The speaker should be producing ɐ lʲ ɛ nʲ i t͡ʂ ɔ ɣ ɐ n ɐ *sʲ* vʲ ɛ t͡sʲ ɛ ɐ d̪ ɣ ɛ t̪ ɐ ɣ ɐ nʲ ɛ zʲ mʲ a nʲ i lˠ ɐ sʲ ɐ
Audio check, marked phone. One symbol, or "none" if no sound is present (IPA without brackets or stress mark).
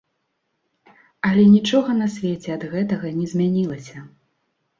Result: sʲ